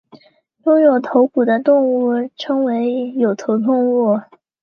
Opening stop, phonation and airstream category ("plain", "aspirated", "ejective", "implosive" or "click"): aspirated